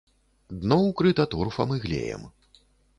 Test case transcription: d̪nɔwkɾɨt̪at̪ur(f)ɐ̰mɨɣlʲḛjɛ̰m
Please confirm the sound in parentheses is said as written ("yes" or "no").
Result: yes